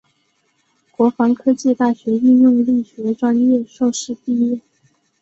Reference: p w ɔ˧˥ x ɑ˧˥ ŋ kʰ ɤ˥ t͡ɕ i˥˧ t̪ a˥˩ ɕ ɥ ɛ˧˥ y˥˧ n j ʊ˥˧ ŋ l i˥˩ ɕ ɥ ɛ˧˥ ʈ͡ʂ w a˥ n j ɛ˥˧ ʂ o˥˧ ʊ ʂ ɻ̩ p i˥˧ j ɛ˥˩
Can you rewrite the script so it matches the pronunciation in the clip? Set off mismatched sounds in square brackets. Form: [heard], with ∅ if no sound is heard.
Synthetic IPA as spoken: [k] w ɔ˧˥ [f] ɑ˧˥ ŋ kʰ ɤ˥ t͡ɕ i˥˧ t̪ a˥˩ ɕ ɥ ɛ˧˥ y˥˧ n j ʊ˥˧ ŋ l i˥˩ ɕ ɥ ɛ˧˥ ʈ͡ʂ w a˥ n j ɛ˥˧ ʂ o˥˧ ʊ ʂ ɻ̩ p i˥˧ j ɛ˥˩